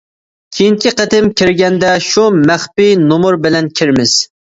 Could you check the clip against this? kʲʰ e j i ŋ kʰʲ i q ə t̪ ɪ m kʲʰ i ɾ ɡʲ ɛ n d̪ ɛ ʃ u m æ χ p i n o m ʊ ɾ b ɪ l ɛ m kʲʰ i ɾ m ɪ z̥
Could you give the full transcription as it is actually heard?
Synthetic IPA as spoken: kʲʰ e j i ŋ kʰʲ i q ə t̪ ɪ m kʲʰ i ɾ ɡʲ ɛ n d̪ ɛ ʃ u m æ χ p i n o m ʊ ɾ b ɪ l ɛ n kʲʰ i ɾ m ɪ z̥